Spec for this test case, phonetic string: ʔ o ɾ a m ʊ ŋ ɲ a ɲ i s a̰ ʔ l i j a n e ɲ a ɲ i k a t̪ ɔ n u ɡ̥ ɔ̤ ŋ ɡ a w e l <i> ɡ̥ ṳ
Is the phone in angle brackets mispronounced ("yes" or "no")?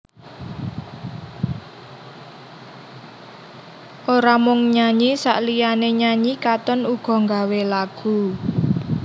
yes